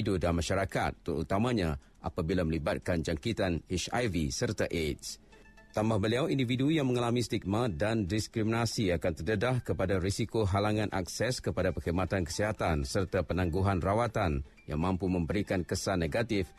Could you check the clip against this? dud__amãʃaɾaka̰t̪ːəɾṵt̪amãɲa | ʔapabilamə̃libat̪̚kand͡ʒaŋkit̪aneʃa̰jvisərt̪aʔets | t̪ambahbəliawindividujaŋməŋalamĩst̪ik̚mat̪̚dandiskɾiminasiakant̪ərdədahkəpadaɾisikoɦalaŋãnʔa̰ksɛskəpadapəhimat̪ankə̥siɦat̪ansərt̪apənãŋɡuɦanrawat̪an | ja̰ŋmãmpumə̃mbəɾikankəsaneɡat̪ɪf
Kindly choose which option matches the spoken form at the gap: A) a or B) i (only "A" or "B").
A